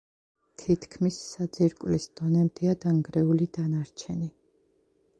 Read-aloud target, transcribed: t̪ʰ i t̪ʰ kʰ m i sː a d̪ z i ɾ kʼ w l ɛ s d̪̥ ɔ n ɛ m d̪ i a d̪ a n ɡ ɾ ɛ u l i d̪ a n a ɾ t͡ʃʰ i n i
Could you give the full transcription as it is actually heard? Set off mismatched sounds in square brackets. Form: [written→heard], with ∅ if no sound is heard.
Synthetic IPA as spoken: t̪ʰ i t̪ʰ kʰ m i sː a d̪ z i ɾ kʼ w l [ɛ→i] s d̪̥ ɔ n ɛ m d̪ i a d̪ a [n→ŋ] ɡ ɾ ɛ u l i d̪ a n a ɾ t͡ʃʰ [i→ɛ] n i